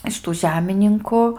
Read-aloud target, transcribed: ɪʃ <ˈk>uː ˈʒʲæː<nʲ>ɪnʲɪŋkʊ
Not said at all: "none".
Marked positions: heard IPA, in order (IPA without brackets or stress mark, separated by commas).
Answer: t, mʲ